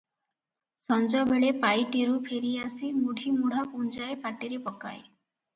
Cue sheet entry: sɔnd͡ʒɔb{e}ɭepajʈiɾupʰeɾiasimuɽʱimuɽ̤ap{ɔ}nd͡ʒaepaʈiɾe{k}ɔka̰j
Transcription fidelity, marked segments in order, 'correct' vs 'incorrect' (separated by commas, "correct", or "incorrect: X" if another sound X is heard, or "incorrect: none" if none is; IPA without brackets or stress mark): correct, incorrect: u, incorrect: p